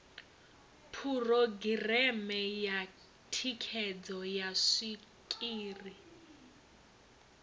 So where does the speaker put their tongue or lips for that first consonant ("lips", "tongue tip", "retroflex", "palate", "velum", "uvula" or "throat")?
lips